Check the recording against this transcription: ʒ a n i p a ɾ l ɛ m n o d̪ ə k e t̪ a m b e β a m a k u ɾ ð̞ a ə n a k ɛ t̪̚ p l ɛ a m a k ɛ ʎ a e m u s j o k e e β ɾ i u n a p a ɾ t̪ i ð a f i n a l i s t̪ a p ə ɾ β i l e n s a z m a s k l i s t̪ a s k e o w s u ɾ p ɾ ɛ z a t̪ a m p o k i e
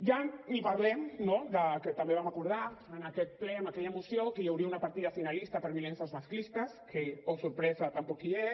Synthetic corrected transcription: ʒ a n i p a ɾ l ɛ m n o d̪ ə k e t̪ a m b e β a m a k u ɾ ð̞ a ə n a k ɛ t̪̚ p l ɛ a m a k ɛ ʎ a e m u s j o k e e w ɾ i u n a p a ɾ t̪ i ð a f i n a l i s t̪ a p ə ɾ β i l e n s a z m a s k l i s t̪ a s k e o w s u ɾ p ɾ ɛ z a t̪ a m p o k i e